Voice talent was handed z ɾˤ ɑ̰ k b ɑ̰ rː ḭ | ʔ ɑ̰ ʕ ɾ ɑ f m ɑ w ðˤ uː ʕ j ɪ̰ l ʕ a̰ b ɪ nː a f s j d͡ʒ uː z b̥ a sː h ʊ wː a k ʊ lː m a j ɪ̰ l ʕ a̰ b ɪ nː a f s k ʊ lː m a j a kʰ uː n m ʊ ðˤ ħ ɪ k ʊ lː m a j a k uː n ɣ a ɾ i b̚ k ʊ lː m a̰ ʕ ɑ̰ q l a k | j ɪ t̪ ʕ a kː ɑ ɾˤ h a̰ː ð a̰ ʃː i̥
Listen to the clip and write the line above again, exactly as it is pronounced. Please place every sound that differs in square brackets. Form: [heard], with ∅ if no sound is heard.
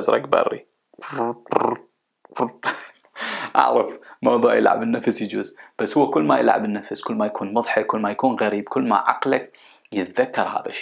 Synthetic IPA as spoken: z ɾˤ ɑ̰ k b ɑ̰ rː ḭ | ʔ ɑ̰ ʕ ɾ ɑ f m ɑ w ðˤ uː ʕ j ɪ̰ l ʕ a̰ b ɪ nː a f s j d͡ʒ uː z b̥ a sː h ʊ wː a k ʊ lː m a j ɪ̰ l ʕ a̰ b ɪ nː a f s k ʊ lː m a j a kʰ uː n m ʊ ðˤ ħ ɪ k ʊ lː m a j a k uː n ɣ a ɾ [iː] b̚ k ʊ lː m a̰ ʕ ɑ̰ q l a k | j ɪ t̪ [ð] a kː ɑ ɾˤ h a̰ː ð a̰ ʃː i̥